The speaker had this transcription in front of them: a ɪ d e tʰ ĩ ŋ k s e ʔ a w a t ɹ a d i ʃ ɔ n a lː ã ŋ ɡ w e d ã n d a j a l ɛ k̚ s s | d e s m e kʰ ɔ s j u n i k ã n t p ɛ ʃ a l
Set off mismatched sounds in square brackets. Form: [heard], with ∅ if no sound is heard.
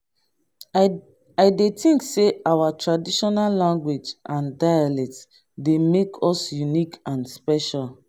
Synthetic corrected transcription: a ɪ d e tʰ ĩ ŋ k s e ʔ a w a t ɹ a d i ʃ ɔ n a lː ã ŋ ɡ w e [d͡ʒ] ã n d a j a l ɛ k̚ [t] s | d e [∅] m e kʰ ɔ s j u n i k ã n [s] p ɛ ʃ a l

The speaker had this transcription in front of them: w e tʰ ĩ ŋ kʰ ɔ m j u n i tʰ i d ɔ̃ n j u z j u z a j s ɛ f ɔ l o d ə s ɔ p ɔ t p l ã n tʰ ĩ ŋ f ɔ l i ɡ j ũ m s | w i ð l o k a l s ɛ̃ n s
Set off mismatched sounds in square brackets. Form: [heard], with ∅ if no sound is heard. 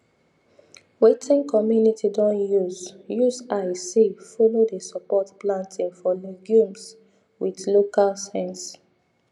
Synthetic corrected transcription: w e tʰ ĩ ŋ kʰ ɔ m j u n i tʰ i d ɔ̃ n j u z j u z a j s [i] f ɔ l o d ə s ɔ p ɔ t p l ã n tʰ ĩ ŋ f ɔ l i ɡ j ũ m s | w i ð l o k a l s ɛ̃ n s

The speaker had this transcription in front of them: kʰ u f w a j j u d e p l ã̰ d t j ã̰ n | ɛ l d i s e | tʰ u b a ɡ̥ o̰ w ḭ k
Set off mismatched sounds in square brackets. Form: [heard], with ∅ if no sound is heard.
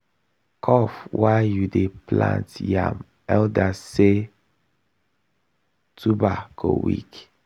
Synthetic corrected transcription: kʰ [ɔ] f w a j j u d e p l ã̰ [n] t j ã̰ [m] | ɛ l d [a] s e | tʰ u b a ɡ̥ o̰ w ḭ k

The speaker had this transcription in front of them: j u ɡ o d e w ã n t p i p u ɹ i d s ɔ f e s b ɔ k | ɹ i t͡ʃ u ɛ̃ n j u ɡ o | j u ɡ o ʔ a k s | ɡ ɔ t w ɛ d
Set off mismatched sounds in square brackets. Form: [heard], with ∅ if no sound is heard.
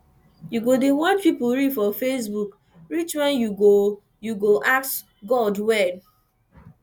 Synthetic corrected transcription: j u ɡ o d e w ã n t p i p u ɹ i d [f] ɔ f e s b [u] k | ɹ i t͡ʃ [w] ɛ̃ n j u ɡ o | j u ɡ o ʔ a k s | ɡ ɔ [d] w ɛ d

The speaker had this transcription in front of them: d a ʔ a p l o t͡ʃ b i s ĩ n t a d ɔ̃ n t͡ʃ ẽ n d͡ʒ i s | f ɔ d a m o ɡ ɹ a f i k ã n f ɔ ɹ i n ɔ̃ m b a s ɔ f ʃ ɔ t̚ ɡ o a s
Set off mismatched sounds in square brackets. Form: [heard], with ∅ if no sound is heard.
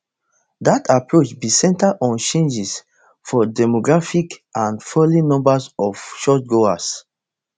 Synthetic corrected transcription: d a [t] a p [ɹ] o t͡ʃ b i s [ɛ̃] n t a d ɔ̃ n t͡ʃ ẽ n d͡ʒ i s | f ɔ d [ɛ] m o ɡ ɹ a f i k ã n f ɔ [l] i n ɔ̃ m b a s ɔ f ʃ ɔ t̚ ɡ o a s

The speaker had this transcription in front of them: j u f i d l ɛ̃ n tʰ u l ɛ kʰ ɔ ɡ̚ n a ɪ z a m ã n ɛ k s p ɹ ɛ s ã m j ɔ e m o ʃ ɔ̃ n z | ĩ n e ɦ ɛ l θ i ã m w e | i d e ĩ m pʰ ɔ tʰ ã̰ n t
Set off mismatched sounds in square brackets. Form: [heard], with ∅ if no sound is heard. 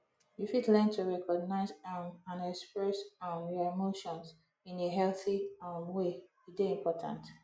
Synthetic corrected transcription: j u f i d l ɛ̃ n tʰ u [ɹ] ɛ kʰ ɔ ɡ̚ n a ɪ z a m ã n ɛ k s p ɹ ɛ s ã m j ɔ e m o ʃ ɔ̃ n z | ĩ n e ɦ ɛ l θ i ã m w e | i d e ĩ m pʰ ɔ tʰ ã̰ n t

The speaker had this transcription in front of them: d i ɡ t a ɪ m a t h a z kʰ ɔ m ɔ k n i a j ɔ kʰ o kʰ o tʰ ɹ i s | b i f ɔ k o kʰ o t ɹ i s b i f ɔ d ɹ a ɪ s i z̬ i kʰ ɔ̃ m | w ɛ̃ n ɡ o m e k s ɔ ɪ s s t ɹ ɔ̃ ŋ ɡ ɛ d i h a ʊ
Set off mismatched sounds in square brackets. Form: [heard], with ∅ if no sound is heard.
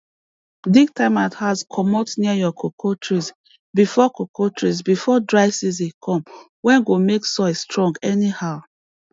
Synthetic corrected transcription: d i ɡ t a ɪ m a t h a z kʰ ɔ m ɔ [t] n i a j ɔ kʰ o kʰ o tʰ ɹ i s | b i f ɔ k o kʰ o t ɹ i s b i f ɔ d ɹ a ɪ s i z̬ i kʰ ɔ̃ m | w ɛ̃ n ɡ o m e k s ɔ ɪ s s t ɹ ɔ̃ ŋ ɡ ɛ [n] i h a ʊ

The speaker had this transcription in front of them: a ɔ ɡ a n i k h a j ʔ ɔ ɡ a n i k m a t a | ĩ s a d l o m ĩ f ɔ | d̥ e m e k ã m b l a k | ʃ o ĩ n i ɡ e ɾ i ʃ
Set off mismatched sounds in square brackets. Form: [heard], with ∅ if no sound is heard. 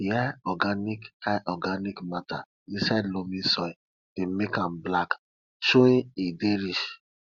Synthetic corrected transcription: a ɔ ɡ a n i k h a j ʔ ɔ ɡ a n i k m a t a | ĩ s a d l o m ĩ [s] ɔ | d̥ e m e k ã m b l a k | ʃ o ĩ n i [d] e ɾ i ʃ

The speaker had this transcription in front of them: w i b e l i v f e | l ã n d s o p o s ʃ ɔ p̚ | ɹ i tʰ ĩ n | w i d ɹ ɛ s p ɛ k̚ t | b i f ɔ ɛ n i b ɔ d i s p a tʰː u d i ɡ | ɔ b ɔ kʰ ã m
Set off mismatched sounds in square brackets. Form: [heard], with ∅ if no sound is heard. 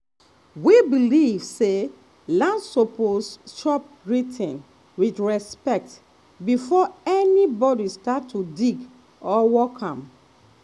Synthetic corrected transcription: w i b [i] l i v [s] e | l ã n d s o p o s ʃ ɔ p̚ | ɹ i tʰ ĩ n | w i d ɹ ɛ s p ɛ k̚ t | b i f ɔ ɛ n i b ɔ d i s [t] a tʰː u d i ɡ | ɔ [w] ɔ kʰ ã m

